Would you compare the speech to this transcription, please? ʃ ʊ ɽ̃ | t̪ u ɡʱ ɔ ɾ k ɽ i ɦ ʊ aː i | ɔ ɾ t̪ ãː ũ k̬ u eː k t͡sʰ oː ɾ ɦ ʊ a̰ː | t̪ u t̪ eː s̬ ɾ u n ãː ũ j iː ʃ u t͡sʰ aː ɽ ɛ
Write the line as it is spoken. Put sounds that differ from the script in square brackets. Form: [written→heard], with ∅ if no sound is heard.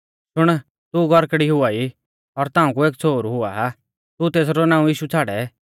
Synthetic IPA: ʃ ʊ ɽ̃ | t̪ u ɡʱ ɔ ɾ k ɽ i ɦ ʊ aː i | ɔ ɾ t̪ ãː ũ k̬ u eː k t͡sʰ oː ɾ ɦ ʊ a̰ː | t̪ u t̪ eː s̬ ɾ [u→ɔ] n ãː ũ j iː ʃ u t͡sʰ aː ɽ ɛ